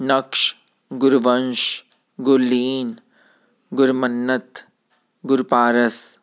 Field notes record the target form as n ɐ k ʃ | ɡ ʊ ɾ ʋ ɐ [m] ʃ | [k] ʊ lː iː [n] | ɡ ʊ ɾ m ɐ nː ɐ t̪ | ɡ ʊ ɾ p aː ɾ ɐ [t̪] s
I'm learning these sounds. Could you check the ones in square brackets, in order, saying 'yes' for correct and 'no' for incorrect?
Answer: no, no, yes, no

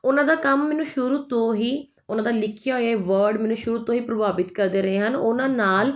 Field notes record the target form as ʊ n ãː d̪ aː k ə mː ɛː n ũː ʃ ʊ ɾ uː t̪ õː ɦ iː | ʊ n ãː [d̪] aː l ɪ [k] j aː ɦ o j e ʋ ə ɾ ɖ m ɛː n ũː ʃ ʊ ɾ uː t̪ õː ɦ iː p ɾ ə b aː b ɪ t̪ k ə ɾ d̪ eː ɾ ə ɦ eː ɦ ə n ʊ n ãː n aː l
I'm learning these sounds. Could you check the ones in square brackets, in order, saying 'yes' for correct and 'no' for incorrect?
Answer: yes, no

